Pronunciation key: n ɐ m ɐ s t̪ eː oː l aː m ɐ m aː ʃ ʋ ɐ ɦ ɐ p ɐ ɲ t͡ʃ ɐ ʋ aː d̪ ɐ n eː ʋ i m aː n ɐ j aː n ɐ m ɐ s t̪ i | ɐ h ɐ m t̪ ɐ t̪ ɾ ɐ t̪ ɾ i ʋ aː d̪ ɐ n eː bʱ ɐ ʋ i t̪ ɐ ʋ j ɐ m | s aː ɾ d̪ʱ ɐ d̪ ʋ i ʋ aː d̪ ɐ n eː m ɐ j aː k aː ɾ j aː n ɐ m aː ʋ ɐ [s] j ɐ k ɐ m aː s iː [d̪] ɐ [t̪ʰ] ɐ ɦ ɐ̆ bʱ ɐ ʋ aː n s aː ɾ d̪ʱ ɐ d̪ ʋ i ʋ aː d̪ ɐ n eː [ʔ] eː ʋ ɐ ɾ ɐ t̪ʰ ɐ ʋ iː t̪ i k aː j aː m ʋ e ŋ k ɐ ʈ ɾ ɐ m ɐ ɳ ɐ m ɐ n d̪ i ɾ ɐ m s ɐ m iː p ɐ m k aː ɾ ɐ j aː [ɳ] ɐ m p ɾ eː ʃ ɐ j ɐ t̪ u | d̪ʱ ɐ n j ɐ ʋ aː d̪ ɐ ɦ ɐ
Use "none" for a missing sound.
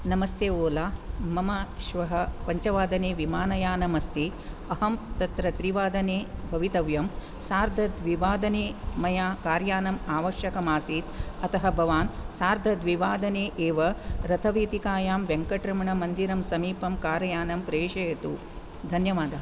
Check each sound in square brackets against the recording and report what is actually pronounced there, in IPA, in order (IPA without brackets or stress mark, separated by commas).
ʃ, t̪, t̪, ʔ, n